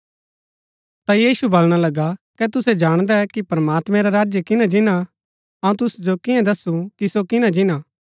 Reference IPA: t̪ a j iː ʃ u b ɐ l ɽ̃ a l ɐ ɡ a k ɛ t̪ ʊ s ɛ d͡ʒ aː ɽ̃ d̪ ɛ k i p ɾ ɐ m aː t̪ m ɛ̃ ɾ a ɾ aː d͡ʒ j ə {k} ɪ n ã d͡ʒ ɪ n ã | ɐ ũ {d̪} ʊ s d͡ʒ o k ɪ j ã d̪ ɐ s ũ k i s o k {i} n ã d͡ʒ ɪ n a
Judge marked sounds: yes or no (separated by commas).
yes, no, no